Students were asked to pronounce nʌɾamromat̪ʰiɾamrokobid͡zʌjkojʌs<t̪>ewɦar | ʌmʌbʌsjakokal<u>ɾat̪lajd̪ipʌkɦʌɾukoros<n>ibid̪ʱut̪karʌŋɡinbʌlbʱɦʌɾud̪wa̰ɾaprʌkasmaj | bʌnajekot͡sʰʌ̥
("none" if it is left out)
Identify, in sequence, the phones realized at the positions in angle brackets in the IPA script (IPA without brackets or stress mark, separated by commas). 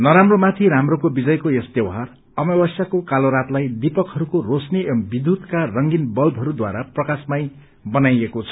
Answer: t̪, o, n